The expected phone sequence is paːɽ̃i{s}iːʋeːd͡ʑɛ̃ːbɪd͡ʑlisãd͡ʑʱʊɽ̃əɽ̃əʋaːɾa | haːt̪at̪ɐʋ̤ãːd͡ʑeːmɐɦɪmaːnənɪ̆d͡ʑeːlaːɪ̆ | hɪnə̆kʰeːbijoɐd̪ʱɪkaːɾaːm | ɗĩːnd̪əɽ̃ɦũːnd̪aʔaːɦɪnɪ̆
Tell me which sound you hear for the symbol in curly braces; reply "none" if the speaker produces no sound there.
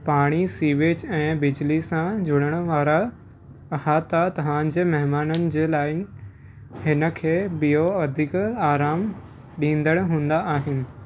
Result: s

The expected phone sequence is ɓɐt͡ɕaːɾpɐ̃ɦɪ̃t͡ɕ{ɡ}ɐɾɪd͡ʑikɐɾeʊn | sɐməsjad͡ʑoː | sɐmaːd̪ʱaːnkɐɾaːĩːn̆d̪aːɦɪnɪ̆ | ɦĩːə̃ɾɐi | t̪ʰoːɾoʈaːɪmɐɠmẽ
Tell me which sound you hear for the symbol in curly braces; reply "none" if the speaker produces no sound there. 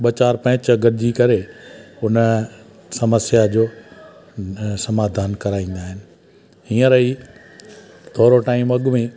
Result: ɡ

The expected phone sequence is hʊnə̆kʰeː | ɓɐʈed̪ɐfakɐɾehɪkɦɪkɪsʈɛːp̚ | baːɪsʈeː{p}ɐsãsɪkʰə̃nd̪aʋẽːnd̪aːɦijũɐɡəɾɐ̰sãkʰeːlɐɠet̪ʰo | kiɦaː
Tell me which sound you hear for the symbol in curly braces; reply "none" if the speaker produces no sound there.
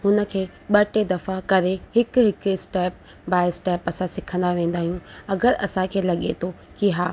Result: p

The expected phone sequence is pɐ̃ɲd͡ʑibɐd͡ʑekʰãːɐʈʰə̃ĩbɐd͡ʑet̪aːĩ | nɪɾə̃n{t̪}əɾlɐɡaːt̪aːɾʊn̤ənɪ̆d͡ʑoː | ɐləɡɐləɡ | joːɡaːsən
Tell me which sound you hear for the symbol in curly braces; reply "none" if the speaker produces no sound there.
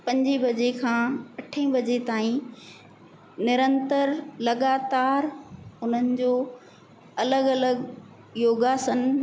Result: t̪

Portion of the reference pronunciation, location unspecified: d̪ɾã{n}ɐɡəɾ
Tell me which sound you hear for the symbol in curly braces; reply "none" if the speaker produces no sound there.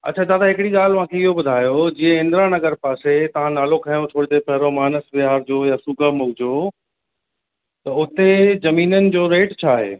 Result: n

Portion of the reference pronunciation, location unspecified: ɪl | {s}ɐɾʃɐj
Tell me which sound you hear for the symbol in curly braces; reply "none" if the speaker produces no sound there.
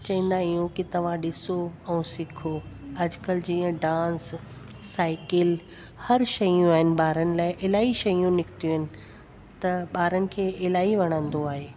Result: h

